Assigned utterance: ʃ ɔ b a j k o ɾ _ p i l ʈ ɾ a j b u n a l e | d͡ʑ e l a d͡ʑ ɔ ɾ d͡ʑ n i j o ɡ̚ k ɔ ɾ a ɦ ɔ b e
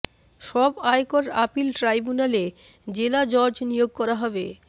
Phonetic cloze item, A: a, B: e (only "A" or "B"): A